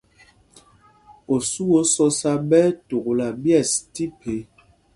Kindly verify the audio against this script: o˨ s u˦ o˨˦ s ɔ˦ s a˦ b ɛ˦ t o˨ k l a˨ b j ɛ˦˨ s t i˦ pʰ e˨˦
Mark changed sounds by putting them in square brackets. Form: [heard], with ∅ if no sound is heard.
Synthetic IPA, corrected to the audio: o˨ s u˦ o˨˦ s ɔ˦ s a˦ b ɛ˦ t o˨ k l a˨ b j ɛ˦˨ s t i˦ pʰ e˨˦